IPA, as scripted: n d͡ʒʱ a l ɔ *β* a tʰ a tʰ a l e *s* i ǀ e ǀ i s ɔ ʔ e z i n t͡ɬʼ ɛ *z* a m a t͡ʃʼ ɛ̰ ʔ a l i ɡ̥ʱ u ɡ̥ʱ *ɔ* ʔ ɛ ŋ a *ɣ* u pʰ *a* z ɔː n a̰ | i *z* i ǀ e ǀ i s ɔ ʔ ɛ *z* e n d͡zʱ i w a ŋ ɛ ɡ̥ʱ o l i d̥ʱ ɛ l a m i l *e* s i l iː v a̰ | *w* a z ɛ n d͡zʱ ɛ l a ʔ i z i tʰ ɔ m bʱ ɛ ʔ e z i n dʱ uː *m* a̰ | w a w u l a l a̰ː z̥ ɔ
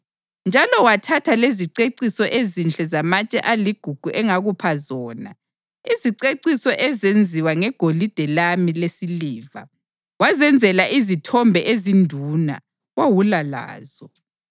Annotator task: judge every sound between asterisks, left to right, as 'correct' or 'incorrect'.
incorrect: w, incorrect: z, correct, incorrect: u, correct, correct, correct, correct, correct, correct, incorrect: n

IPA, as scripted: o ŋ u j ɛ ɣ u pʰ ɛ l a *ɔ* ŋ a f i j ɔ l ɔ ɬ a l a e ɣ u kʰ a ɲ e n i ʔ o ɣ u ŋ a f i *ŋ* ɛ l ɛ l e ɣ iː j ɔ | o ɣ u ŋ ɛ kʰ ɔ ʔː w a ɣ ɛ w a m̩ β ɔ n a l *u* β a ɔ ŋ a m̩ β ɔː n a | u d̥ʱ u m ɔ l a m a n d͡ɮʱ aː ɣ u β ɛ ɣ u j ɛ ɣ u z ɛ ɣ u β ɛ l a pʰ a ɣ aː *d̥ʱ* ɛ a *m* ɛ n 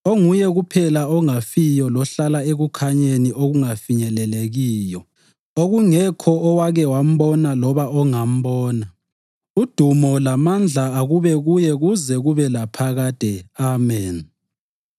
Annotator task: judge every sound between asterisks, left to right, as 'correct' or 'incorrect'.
correct, incorrect: ɲ, incorrect: ɔ, correct, correct

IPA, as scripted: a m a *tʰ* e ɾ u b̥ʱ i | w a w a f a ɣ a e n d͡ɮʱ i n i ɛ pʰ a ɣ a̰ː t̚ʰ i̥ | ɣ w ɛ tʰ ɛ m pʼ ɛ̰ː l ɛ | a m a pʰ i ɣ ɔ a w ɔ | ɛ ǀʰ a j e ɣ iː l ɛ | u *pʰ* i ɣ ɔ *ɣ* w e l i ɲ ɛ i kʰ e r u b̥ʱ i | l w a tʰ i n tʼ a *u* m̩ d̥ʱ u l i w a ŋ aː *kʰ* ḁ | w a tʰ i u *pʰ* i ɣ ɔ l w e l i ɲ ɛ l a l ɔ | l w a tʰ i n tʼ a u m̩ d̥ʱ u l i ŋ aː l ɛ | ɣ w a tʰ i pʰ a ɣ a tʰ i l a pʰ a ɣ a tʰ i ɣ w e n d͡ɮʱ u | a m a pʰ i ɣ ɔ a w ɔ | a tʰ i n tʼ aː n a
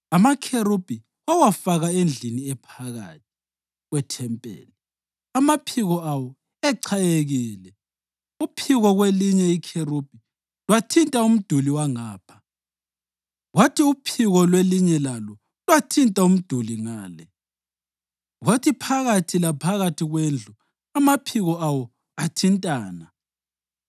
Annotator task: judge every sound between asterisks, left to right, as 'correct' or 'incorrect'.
incorrect: kʰ, correct, correct, correct, incorrect: pʰ, correct

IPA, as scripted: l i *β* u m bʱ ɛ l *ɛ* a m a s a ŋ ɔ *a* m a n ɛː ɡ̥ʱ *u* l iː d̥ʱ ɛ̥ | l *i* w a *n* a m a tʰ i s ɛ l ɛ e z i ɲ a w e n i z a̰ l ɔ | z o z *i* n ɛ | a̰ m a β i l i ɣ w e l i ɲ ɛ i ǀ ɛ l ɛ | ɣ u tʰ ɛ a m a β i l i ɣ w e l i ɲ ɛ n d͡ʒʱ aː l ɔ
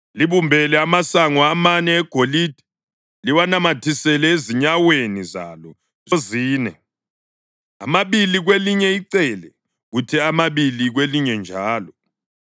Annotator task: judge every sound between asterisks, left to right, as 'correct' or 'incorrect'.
correct, correct, correct, incorrect: o, correct, correct, incorrect: iː

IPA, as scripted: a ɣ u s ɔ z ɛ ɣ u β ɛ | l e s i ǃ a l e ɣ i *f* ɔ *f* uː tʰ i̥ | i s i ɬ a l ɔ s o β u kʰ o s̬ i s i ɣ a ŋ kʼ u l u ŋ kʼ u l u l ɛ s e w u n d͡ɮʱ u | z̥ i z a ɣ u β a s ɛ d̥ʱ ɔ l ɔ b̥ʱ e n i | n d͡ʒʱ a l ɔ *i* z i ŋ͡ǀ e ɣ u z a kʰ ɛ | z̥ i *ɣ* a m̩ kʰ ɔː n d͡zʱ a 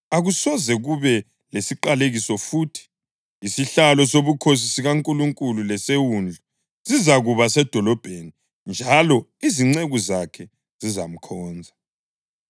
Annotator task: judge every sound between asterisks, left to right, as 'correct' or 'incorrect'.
incorrect: s, correct, correct, incorrect: z

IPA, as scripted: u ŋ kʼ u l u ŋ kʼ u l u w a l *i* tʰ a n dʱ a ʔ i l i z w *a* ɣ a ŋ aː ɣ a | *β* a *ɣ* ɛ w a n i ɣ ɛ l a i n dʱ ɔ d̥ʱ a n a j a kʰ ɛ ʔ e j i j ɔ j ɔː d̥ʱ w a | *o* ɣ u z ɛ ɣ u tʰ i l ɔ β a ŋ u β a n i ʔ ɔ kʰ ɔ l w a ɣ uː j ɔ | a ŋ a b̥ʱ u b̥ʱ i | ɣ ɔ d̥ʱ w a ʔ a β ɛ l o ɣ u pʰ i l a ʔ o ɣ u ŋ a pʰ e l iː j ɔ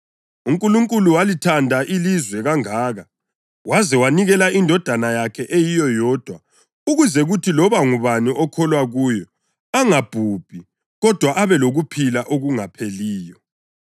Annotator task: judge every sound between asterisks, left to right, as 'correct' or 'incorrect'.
correct, incorrect: ɛ, incorrect: w, incorrect: z, incorrect: u

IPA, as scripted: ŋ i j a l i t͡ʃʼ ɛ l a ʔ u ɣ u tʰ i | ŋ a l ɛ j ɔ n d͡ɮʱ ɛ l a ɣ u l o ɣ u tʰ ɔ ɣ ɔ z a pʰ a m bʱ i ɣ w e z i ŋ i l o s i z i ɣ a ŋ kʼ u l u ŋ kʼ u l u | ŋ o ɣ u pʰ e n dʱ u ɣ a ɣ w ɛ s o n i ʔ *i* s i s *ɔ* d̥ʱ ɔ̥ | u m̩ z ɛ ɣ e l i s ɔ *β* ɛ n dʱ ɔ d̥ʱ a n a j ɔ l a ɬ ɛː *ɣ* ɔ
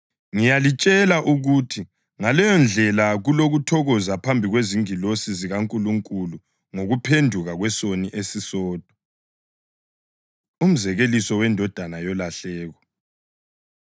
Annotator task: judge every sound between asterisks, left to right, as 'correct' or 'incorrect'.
incorrect: e, incorrect: ɔː, incorrect: w, correct

